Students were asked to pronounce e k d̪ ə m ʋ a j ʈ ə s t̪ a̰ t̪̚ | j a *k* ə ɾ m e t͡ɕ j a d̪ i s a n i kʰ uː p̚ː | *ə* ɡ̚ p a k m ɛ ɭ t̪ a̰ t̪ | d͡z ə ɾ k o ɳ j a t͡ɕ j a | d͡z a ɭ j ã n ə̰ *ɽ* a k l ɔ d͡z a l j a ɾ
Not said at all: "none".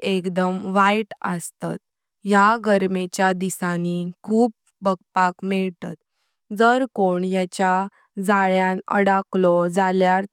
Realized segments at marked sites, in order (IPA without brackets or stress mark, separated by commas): ɡ, ə, ɽ